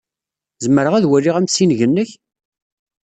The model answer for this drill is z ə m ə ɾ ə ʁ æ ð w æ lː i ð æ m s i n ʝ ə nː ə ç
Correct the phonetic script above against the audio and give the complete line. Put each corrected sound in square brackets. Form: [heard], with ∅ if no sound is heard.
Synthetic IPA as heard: z ə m ə ɾ ə ʁ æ ð w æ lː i [ʁ] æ m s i n ʝ ə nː ə ç